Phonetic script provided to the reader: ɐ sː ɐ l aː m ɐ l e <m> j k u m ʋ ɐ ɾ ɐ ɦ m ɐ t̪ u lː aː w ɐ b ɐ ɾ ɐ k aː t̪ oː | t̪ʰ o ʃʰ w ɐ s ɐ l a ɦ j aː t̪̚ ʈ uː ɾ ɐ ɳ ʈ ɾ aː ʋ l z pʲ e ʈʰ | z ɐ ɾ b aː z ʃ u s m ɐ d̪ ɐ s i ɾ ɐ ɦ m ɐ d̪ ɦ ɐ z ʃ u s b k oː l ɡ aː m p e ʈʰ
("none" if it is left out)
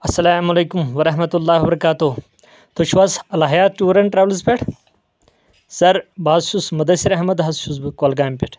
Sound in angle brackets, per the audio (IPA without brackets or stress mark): none